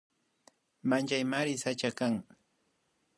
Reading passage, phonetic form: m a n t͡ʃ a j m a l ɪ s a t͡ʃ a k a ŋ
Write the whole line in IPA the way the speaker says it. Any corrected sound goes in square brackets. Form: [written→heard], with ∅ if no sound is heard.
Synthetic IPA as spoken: m a n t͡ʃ a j m a [l→ɾ] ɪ s a t͡ʃ a k a ŋ